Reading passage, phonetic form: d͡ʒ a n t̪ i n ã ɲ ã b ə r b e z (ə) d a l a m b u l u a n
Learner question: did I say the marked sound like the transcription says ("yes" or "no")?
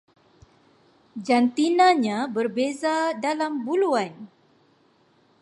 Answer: no